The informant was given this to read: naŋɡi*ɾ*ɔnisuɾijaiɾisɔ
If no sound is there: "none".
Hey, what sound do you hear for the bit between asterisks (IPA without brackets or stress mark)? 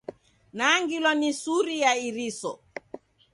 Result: l